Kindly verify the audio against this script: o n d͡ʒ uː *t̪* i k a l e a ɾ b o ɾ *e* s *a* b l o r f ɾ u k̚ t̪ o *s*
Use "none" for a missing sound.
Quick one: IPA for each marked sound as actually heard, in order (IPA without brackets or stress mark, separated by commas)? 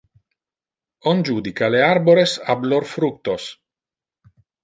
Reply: d̪, e, a, s